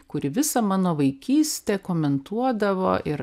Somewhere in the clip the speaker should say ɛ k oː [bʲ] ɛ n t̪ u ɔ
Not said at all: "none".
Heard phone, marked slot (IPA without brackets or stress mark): mʲ